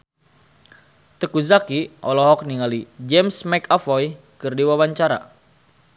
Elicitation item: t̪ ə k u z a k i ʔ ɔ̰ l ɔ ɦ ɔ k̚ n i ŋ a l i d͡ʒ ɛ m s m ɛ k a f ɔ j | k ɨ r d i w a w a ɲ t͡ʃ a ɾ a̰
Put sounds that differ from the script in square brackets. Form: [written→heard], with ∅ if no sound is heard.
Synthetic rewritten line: t̪ ə k u z a k i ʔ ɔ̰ l ɔ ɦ ɔ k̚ n i ŋ a l i d͡ʒ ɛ m s m ɛ k a f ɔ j | k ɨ r d i w a w a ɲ t͡ʃ a ɾ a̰